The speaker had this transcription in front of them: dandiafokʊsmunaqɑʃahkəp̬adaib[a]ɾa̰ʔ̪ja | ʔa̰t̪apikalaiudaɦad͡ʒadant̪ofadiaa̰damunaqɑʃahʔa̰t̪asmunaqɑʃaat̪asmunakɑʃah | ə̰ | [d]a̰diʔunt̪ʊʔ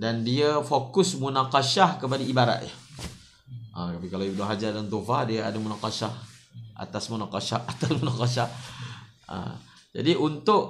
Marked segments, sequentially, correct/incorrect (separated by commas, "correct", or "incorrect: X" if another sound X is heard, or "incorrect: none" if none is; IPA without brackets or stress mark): correct, incorrect: d͡ʒ